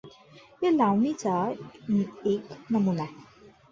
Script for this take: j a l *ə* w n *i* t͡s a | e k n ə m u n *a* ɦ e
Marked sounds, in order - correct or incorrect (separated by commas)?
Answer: incorrect, correct, correct